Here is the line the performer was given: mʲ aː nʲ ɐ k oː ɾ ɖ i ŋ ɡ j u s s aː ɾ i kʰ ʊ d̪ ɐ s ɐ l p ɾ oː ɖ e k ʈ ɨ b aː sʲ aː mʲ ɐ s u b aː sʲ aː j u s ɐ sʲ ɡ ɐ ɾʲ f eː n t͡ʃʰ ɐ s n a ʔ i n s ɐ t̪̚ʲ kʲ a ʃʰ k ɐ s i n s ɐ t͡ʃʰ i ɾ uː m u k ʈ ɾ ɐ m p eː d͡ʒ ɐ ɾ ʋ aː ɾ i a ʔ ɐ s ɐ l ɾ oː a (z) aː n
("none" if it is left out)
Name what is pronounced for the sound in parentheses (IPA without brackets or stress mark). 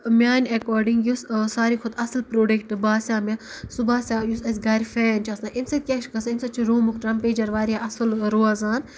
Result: z